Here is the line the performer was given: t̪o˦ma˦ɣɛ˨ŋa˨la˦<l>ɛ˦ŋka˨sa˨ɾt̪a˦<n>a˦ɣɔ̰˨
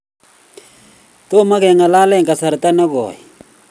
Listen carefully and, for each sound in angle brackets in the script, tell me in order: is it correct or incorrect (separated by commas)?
correct, correct